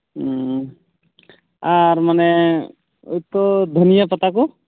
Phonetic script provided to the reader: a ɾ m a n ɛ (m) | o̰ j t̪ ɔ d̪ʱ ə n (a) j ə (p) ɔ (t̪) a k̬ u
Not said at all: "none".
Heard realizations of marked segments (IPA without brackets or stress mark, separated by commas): none, i, p, t̪